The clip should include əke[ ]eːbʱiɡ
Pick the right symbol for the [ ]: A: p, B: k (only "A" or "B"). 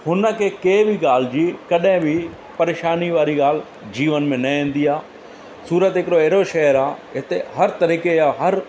B